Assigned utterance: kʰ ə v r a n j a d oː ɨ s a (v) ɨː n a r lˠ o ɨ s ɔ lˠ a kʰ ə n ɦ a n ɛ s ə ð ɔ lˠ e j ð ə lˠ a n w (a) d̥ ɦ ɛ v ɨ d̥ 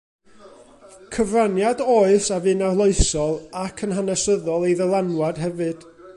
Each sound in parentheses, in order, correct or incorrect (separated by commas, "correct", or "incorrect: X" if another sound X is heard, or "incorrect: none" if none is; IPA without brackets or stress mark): correct, correct